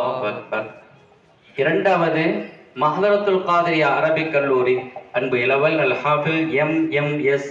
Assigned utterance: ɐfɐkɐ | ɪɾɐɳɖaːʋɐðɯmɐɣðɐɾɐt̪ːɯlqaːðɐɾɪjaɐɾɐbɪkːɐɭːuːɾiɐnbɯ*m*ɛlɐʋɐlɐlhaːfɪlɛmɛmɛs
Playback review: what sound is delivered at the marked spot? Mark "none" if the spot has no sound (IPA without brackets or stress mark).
none